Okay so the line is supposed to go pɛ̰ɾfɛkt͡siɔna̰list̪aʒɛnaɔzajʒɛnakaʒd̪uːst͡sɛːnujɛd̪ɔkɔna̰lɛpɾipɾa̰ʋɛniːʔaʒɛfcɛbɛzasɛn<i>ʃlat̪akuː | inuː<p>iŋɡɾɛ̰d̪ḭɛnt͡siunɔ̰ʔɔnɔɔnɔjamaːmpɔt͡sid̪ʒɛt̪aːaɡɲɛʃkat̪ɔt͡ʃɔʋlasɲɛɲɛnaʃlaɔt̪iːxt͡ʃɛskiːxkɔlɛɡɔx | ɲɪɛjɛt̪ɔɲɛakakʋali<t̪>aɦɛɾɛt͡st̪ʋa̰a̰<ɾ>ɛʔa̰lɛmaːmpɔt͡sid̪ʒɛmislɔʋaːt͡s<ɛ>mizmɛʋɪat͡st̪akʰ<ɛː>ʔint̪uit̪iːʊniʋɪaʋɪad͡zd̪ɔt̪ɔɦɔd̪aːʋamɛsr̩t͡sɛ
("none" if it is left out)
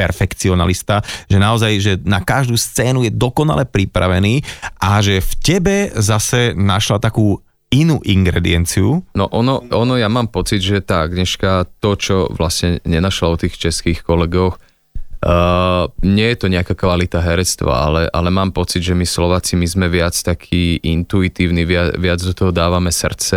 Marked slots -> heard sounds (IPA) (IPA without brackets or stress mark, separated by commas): a, ʔ, t̪, l, i, iː